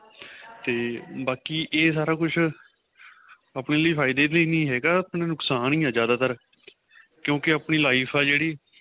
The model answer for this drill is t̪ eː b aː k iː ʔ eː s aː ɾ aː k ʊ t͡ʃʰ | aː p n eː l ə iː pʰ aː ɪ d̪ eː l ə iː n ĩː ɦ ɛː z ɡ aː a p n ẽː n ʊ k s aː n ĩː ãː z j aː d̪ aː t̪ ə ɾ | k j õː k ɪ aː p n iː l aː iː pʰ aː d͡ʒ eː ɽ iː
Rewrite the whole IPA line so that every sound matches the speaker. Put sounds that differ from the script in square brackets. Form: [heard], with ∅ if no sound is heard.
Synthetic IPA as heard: t̪ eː b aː k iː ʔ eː s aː ɾ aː k ʊ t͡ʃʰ | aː p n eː l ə iː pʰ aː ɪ d̪ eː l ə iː n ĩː ɦ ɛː [∅] ɡ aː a p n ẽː n ʊ k s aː n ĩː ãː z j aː d̪ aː t̪ ə ɾ | k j õː k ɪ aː p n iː l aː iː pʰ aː d͡ʒ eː ɽ iː